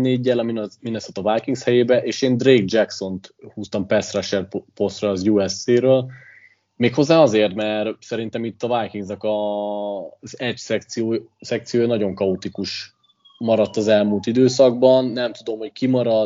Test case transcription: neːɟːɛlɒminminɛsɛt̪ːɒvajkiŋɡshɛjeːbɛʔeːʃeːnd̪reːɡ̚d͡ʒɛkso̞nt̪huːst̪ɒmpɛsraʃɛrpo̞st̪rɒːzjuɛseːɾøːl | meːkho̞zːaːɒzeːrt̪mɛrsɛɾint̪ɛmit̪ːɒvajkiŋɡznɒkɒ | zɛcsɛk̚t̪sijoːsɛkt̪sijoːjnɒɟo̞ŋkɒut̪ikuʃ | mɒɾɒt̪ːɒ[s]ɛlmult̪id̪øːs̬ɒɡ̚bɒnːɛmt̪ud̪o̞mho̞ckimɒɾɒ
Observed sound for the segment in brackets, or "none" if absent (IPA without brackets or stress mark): z